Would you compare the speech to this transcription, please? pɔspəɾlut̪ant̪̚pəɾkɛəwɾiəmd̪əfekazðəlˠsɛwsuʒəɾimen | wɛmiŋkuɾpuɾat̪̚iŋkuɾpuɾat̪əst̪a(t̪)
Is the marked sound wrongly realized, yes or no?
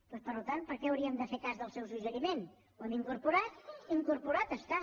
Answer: yes